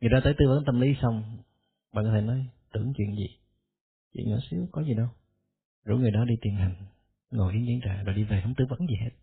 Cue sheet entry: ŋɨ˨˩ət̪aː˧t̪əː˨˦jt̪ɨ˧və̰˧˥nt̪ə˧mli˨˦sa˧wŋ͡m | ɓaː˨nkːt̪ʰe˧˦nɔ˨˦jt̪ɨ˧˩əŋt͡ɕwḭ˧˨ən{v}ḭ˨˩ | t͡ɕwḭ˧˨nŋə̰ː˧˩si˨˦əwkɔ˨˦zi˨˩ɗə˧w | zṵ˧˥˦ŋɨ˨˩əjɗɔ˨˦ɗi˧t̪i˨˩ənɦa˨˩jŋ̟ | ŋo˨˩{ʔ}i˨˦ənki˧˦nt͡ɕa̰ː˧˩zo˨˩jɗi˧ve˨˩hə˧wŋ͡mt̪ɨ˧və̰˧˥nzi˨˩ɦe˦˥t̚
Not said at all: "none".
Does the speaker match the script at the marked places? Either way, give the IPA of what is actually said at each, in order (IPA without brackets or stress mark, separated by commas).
z, ʔ